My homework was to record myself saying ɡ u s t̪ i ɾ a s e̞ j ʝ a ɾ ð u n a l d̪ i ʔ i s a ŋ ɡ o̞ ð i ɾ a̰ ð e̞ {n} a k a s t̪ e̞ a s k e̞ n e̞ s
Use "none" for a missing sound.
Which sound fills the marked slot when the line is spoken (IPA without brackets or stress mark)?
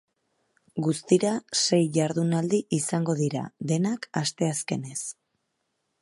n